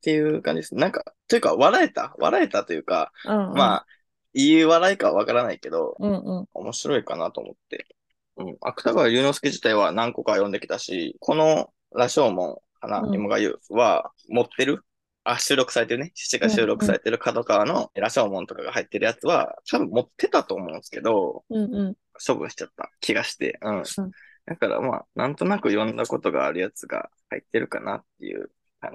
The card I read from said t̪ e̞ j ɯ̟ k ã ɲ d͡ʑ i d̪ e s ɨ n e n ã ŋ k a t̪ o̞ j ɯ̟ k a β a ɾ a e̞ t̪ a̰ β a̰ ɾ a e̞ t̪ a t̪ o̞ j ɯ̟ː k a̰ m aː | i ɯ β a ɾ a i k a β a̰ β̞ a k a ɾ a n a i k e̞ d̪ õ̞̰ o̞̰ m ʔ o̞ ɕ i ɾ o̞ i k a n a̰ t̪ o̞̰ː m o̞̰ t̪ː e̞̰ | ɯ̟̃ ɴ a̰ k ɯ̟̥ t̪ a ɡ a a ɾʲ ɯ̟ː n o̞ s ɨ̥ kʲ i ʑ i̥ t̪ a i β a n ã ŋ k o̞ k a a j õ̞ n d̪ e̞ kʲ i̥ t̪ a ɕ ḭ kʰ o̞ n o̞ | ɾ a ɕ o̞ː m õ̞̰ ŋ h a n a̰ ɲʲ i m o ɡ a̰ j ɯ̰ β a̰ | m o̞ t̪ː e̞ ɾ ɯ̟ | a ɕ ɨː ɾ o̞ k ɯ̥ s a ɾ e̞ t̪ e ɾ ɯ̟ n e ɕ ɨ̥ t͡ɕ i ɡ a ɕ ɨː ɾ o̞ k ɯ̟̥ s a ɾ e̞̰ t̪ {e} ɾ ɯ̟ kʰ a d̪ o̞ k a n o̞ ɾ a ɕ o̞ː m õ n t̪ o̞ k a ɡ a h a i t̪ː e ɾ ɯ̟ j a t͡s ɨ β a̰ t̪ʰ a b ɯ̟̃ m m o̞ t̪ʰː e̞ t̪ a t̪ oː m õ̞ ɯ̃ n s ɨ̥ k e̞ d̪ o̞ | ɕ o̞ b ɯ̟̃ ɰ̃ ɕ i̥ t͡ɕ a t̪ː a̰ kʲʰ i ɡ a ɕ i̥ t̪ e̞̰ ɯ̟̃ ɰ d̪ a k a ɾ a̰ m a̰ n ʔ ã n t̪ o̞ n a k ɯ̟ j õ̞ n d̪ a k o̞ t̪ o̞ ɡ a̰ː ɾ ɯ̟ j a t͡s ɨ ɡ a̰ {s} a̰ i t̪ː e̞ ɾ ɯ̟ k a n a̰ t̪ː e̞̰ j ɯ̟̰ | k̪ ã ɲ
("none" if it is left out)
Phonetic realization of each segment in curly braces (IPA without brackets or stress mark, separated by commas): e, h